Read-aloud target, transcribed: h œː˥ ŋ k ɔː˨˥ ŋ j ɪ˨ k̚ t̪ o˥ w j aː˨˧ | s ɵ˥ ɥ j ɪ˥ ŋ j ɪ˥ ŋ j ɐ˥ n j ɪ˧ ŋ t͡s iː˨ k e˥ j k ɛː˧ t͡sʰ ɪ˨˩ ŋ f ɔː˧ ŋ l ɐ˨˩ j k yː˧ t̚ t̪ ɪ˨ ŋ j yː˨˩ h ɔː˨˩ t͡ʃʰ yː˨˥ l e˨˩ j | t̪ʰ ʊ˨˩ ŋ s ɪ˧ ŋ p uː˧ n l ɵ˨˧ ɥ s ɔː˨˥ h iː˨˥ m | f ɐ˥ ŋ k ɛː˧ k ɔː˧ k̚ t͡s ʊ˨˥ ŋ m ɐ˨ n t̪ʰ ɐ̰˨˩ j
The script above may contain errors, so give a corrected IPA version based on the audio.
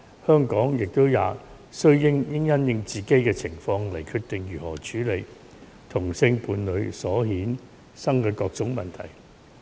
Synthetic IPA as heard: h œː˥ ŋ k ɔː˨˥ ŋ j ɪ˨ k̚ t̪ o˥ w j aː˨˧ | s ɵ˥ ɥ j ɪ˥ ŋ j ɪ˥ ŋ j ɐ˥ n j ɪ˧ ŋ t͡s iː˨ k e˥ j k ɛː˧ t͡sʰ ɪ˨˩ ŋ f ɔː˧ ŋ l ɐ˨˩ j kʰ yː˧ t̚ t̪ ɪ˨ ŋ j yː˨˩ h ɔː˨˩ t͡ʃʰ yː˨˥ l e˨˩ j | t̪ʰ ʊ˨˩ ŋ s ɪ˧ ŋ p uː˧ n l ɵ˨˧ ɥ s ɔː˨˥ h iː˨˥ n | s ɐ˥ ŋ k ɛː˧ k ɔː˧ k̚ t͡s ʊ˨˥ ŋ m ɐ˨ n t̪ʰ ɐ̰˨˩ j